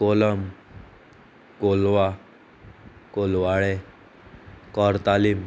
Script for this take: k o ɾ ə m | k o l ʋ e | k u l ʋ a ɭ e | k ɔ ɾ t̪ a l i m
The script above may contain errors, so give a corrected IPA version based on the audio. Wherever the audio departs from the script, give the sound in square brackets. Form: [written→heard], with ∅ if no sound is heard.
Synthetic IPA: k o [ɾ→l] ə m | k o l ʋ [e→a] | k [u→o] l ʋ a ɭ e | k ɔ ɾ t̪ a l i m